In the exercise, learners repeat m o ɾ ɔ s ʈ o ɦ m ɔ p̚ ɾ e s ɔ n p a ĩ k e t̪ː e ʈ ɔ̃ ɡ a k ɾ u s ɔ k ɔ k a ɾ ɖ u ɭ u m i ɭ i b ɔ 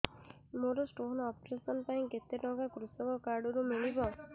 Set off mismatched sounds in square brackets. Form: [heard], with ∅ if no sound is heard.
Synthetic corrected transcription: m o ɾ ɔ s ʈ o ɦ [n] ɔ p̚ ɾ e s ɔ n p a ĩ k e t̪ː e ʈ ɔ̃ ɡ a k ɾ u s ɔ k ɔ k a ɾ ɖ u [ɾ] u m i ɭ i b ɔ